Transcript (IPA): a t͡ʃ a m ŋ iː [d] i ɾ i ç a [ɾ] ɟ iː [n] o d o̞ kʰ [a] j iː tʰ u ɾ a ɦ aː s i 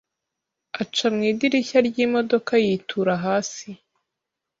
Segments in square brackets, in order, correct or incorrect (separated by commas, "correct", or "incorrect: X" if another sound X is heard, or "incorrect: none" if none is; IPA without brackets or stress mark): correct, correct, incorrect: m, correct